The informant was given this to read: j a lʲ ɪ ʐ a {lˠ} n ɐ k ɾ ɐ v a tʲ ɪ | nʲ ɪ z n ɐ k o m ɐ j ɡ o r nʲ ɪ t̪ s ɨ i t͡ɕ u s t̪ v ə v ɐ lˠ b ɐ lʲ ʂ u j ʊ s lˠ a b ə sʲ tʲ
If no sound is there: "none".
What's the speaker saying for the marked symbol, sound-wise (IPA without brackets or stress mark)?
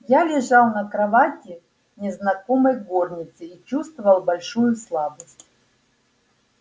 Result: lˠ